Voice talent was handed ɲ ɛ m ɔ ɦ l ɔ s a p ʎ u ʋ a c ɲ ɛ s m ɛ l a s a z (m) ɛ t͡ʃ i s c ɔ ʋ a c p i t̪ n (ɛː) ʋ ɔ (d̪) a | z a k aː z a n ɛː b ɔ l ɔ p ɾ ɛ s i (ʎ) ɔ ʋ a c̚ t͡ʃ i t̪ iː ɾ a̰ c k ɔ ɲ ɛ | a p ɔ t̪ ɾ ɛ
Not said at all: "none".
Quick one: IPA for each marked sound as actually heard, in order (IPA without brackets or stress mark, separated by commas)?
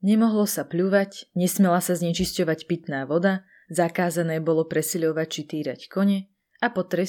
ɲ, aː, d̪, ʎ